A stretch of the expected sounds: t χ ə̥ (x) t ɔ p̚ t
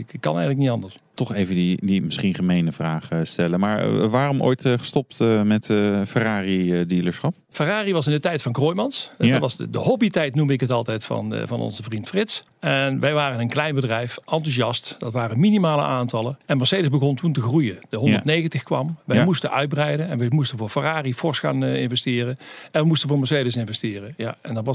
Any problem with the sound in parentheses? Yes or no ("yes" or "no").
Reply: yes